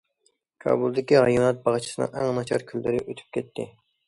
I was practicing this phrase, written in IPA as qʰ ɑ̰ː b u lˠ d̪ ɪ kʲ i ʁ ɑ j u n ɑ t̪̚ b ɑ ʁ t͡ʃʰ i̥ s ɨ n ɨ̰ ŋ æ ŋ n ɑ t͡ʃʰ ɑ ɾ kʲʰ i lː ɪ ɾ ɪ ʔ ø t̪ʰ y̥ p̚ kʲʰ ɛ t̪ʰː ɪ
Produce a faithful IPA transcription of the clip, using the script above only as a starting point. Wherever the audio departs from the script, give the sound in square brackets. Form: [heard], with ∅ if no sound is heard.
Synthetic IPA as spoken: [kʰ] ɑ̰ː b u lˠ d̪ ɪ kʲ i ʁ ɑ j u n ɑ t̪̚ b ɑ ʁ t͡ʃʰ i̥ s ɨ n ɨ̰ ŋ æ ŋ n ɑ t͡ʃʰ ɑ ɾ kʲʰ [y] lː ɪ ɾ ɪ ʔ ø t̪ʰ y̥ p̚ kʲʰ ɛ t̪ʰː ɪ